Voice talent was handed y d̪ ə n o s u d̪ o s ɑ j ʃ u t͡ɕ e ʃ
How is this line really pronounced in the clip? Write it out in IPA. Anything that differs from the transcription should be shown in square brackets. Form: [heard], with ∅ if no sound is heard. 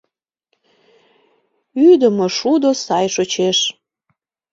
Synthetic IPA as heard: y d̪ ə [m] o [ʃ] u d̪ o s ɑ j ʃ [o] t͡ɕ e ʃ